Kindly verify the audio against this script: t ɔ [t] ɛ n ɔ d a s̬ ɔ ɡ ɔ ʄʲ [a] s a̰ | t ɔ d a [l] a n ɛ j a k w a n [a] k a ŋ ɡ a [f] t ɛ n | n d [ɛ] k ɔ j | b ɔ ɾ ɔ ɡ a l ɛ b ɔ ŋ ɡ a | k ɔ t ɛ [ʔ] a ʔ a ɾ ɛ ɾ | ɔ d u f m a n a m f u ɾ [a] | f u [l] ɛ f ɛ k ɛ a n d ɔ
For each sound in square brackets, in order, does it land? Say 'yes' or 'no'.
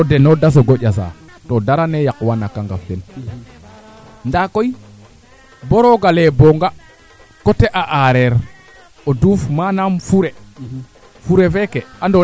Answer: no, yes, no, yes, yes, no, yes, no, no

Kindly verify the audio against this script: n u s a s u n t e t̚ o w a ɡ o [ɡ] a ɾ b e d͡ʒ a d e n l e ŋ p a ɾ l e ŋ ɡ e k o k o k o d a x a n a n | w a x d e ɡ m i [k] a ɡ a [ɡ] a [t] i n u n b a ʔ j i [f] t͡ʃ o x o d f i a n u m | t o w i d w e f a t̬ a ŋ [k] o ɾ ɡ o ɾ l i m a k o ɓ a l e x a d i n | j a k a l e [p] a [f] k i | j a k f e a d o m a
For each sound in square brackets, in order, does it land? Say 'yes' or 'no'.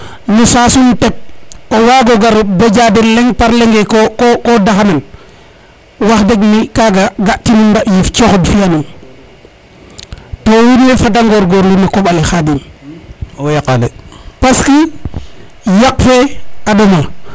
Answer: yes, yes, yes, yes, yes, no, yes, no

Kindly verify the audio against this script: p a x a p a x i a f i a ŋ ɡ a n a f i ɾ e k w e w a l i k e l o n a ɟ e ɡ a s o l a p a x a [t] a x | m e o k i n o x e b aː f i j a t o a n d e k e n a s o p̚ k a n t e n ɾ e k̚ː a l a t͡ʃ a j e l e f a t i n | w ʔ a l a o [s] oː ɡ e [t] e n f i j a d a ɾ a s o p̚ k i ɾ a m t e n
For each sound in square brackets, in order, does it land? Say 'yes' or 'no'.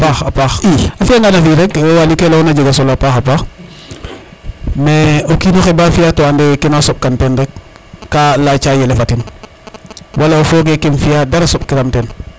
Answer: no, no, no

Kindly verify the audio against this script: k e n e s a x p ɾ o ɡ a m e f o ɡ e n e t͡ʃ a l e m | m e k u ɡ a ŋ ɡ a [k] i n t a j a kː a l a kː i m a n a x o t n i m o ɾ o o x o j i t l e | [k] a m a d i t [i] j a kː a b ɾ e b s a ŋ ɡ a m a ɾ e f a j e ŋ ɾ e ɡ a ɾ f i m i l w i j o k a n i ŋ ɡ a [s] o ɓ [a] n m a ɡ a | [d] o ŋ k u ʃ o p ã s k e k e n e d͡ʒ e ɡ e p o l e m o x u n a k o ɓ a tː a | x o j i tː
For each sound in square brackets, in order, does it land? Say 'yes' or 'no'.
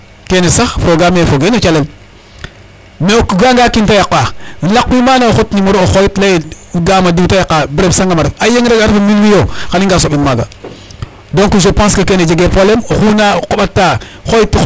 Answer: yes, no, no, yes, no, yes

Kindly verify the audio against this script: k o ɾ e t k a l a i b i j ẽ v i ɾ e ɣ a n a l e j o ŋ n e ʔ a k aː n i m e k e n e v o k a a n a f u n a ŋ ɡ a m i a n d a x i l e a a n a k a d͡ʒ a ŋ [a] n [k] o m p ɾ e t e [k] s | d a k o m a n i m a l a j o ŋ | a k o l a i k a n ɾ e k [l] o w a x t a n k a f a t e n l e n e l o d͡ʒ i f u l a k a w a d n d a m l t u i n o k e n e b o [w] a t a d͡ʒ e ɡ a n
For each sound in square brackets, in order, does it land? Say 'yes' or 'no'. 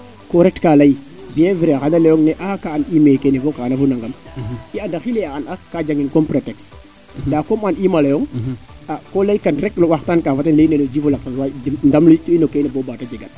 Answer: no, yes, yes, yes, no

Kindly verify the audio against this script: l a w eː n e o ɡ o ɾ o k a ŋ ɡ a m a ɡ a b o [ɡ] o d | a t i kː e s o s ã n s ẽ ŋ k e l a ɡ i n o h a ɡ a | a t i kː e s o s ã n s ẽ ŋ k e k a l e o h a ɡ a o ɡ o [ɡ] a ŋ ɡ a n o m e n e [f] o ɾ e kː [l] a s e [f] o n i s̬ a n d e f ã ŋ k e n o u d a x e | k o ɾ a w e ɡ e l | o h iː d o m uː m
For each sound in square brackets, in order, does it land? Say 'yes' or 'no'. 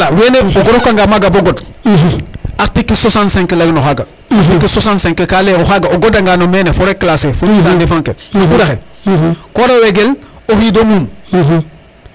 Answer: yes, no, yes, yes, yes

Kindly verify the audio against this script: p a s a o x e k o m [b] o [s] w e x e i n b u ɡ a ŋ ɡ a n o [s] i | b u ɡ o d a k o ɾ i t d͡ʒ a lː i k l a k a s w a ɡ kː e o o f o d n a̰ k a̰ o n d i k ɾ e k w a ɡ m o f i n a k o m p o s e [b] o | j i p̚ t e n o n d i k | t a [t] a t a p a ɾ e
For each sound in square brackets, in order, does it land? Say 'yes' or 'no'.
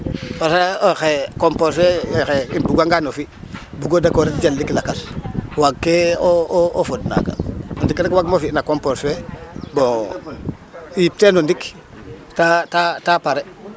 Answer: no, yes, no, yes, yes

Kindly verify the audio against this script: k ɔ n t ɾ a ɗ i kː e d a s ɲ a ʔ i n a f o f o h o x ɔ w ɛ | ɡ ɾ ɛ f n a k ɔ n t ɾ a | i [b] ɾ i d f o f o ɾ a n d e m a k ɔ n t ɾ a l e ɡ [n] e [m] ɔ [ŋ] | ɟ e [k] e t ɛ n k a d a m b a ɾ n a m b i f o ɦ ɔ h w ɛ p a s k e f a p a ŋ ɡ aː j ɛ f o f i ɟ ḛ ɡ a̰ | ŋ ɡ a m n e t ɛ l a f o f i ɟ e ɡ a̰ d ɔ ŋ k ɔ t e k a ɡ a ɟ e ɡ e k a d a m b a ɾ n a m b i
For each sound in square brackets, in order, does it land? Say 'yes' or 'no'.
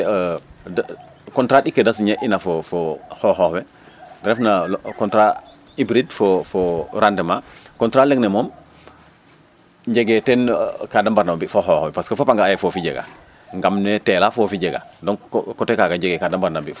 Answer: yes, yes, yes, no, no

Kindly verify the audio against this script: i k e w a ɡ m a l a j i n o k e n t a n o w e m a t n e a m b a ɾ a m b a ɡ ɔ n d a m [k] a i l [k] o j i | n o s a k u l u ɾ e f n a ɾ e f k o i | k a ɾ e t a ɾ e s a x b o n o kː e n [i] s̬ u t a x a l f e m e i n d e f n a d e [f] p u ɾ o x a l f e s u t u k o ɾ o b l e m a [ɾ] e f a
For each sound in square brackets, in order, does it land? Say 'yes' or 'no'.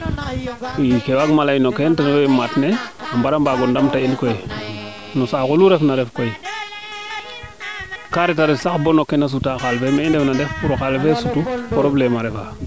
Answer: no, yes, no, yes, yes

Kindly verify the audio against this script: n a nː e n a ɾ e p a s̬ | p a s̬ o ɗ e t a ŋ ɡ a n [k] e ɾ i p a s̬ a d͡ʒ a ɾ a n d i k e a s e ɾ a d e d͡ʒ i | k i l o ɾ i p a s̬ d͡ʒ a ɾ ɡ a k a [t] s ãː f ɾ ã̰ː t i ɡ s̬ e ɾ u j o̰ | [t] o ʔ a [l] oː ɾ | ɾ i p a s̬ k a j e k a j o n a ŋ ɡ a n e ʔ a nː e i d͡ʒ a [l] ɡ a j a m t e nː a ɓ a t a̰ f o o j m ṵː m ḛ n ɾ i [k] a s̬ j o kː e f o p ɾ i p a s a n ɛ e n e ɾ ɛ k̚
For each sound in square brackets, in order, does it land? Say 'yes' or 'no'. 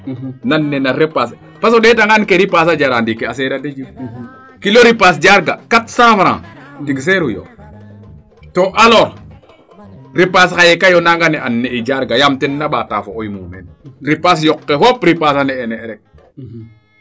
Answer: yes, yes, yes, yes, no, no

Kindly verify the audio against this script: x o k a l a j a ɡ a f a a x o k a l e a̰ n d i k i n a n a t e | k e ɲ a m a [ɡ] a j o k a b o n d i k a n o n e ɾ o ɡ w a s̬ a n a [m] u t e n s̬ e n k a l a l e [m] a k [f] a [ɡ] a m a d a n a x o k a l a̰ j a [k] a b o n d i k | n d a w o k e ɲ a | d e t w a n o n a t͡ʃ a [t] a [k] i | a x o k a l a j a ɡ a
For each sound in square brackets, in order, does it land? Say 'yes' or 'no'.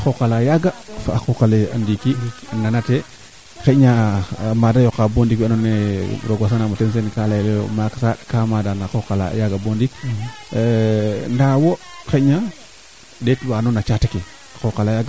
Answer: no, yes, yes, no, no, no, yes, yes

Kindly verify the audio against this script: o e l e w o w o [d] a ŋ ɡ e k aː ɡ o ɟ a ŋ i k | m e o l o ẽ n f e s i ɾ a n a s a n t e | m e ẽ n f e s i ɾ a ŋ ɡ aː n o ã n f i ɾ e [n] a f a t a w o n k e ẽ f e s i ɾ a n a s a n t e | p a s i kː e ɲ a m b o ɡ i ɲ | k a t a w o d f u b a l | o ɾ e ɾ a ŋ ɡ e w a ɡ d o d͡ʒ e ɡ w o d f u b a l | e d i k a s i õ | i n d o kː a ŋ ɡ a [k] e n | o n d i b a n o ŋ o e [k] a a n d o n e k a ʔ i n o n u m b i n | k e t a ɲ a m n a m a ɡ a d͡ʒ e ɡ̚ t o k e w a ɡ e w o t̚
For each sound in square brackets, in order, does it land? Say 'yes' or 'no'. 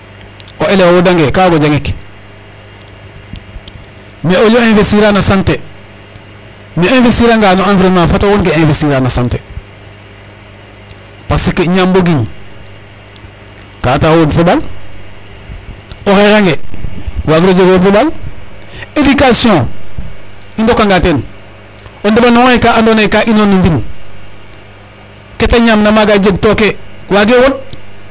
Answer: yes, no, no, yes

